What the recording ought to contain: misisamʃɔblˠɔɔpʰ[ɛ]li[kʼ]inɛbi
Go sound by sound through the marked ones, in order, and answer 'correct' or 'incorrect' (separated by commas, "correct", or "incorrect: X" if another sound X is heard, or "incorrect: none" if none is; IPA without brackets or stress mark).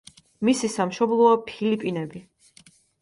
incorrect: i, incorrect: pʼ